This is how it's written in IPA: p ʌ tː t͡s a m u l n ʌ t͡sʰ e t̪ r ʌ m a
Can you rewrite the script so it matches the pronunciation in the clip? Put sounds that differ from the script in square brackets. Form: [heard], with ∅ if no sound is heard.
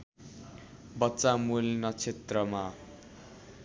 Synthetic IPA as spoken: [b] ʌ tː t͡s a m u l n ʌ t͡sʰ e t̪ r ʌ m a